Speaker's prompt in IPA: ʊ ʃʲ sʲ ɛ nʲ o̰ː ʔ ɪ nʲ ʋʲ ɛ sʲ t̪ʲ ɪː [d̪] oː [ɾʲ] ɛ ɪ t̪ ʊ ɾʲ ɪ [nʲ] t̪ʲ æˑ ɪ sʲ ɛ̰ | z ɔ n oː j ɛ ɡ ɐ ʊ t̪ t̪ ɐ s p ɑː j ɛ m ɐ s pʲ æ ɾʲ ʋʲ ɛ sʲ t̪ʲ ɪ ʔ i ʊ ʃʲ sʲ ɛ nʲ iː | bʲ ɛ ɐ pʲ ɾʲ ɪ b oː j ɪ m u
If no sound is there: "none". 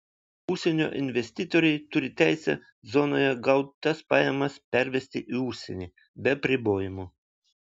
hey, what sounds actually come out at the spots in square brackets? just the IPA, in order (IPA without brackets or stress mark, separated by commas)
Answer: t̪, ɾʲ, none